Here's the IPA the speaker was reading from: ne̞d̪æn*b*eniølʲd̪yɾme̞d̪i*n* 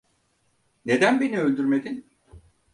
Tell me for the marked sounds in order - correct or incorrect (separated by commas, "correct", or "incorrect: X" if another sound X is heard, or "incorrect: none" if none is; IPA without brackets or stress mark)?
correct, correct